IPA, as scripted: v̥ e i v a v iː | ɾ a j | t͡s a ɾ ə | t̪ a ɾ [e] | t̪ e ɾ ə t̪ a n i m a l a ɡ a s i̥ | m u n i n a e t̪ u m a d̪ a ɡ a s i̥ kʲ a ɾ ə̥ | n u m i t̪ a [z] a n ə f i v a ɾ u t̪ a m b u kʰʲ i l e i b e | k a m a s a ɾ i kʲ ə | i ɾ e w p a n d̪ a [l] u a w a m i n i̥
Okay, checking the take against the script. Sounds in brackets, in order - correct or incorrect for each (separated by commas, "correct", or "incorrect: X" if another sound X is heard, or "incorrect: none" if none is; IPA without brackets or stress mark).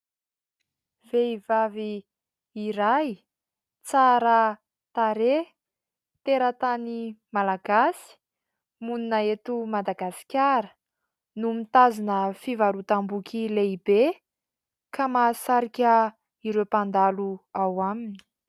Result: correct, correct, correct